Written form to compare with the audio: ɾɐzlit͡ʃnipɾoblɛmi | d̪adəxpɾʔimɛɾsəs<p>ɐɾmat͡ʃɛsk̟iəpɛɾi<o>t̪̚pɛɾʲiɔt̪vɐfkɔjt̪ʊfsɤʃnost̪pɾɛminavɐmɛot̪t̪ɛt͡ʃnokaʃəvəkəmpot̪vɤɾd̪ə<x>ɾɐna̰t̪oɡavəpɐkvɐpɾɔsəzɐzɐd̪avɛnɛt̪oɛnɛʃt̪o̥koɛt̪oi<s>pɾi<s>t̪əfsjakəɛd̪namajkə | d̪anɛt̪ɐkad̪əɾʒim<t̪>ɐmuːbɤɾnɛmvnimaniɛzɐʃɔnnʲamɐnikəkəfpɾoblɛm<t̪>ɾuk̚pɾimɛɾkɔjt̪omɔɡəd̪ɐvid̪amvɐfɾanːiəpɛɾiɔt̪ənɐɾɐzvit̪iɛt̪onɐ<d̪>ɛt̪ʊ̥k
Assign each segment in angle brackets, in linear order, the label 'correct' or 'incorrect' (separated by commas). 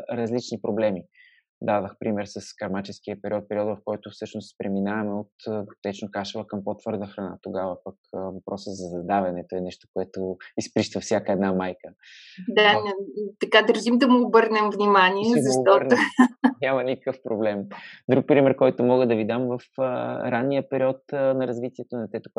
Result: incorrect, incorrect, correct, correct, incorrect, incorrect, incorrect, incorrect